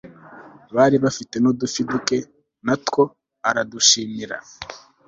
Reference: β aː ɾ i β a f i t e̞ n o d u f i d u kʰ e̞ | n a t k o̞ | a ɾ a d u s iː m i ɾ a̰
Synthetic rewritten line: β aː ɾ i β a f i t e̞ n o d u f i d u k e̞ | n a t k o̞ | a ɾ a d u ʃ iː m i ɾ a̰